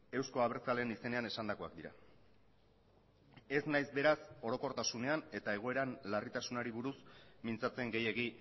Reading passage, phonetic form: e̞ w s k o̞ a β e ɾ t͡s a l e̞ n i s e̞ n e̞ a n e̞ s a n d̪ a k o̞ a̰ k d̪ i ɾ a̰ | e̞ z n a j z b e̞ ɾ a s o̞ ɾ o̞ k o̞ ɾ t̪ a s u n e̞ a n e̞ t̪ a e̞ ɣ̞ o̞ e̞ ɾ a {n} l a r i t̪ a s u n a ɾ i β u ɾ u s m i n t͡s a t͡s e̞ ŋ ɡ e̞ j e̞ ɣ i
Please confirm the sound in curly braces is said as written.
yes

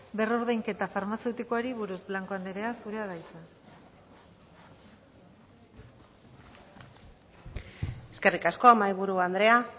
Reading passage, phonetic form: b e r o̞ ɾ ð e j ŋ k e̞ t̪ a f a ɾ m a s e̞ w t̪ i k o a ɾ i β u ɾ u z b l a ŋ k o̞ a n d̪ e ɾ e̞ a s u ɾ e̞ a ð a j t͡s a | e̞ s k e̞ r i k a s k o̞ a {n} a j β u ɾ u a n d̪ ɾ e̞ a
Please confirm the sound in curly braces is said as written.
no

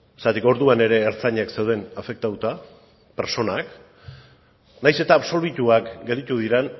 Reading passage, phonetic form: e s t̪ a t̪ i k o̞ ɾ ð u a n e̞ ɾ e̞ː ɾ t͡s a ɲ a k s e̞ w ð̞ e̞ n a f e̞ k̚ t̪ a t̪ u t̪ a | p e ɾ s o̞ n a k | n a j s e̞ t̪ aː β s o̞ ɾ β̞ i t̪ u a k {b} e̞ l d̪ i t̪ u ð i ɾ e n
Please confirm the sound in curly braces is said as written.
no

